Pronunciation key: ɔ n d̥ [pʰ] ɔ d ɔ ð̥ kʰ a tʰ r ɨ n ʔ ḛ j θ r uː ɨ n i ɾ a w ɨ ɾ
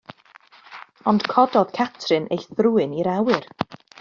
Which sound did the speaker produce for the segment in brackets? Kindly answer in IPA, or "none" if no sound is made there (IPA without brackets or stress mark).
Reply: kʰ